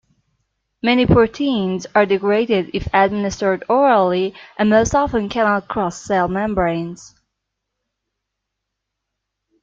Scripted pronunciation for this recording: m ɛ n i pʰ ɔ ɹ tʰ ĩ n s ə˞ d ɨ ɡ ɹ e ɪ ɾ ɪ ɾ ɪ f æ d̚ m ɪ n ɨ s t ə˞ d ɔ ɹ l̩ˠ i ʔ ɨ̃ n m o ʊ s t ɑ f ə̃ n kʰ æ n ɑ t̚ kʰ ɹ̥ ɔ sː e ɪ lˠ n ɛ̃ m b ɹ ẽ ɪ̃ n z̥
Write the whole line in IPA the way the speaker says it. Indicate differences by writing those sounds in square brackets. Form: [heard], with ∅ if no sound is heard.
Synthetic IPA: m ɛ n i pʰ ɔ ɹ tʰ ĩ n [z] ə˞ d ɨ ɡ ɹ e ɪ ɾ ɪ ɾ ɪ f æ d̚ m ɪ n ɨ s t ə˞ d ɔ ɹ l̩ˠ i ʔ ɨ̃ n m o ʊ s t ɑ f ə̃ n kʰ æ n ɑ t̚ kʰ ɹ̥ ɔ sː e ɪ lˠ [m] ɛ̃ m b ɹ ẽ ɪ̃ n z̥